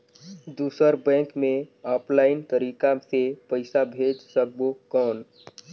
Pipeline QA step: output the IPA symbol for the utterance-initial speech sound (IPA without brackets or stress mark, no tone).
d̪